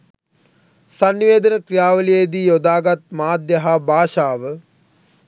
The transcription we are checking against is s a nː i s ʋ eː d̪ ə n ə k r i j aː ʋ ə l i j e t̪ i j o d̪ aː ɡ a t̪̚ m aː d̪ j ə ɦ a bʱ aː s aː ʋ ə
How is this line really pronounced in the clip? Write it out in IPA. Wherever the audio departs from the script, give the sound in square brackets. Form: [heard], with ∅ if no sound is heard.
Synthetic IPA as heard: s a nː i [∅] ʋ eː d̪ ə n ə k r i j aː ʋ ə l i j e [d̪] i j o d̪ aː ɡ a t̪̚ m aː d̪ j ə ɦ a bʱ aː [ʃ] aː ʋ ə

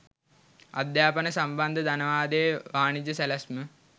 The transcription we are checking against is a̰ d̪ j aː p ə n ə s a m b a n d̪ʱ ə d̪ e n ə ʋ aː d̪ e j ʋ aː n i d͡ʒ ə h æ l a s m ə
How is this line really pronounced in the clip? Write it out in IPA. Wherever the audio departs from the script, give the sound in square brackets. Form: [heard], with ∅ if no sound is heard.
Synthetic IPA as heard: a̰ d̪ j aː p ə n ə s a m b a n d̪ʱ ə d̪ [a] n ə ʋ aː d̪ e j ʋ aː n i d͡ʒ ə [s] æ l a s m ə

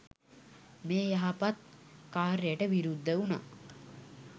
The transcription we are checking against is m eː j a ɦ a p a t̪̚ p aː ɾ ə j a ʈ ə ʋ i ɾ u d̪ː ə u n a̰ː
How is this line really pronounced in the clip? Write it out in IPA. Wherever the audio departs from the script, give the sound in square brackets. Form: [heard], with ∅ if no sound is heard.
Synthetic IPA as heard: m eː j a ɦ a p a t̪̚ [k] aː ɾ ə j [ə] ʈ ə ʋ i ɾ u d̪ː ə u n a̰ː

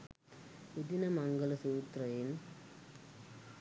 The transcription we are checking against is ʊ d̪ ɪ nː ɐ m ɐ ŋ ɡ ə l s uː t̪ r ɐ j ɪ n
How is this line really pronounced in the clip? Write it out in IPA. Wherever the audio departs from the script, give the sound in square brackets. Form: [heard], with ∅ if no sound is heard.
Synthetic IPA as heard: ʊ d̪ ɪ [n] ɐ m ɐ ŋ ɡ [ɐ] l s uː t̪ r ɐ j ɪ n

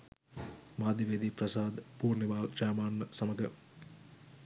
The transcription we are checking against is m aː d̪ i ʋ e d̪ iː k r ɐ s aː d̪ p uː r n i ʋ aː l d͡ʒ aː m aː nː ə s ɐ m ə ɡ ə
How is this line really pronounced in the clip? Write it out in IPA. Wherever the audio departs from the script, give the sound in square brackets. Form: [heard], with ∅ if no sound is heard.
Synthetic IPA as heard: m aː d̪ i ʋ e d̪ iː [p] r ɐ s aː d̪ p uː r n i ʋ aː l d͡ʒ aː m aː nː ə s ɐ m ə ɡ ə

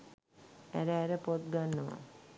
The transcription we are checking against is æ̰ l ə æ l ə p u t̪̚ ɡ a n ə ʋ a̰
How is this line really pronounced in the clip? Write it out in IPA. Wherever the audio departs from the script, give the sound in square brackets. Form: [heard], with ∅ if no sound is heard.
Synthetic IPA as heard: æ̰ [ɾ] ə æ [ɾ] ə p [o] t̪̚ ɡ a [nː] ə ʋ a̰

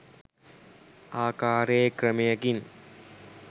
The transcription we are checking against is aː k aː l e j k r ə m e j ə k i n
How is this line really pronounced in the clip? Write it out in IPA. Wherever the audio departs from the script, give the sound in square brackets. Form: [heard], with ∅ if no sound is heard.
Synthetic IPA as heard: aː k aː [ɾ] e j k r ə m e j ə k i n

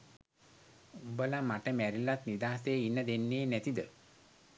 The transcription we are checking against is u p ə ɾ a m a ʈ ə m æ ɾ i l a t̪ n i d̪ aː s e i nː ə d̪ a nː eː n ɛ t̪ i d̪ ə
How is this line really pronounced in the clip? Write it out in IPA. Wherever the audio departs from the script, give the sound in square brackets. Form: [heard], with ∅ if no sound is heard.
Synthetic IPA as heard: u [b] ə [l] a m a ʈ ə m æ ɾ i l a t̪ n i d̪ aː s e i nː ə d̪ [e] nː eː n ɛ t̪ i d̪ ə

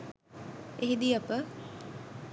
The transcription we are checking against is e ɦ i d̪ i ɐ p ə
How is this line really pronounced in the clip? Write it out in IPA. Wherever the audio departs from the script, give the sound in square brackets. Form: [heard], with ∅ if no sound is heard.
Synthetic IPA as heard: e ɦ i d̪ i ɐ p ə

